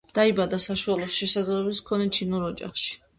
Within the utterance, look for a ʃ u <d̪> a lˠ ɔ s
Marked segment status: incorrect: none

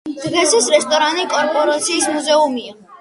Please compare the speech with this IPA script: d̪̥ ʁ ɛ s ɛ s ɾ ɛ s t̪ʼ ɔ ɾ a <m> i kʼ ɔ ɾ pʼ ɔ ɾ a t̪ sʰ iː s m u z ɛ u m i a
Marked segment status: incorrect: n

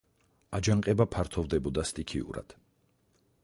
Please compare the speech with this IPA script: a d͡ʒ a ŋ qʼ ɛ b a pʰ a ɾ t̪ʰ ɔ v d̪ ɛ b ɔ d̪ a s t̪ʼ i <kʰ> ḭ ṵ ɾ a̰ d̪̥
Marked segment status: correct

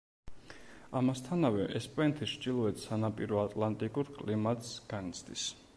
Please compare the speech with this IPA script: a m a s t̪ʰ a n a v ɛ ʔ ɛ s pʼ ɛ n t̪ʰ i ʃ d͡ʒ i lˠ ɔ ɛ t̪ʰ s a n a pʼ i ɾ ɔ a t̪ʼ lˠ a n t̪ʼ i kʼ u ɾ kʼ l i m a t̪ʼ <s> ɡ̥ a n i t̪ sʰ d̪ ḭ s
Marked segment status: correct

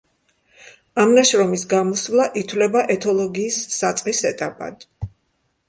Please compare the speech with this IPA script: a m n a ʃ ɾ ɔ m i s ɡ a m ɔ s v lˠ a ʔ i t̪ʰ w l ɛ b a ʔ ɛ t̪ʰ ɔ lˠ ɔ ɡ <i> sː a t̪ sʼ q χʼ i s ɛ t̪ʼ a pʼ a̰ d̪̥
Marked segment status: incorrect: iː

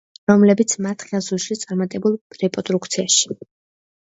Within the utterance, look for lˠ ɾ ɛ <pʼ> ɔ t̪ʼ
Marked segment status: correct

